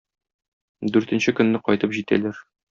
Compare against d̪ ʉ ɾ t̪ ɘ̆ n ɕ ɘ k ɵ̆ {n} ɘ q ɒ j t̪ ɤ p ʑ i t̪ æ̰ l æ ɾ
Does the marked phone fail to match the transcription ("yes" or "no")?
yes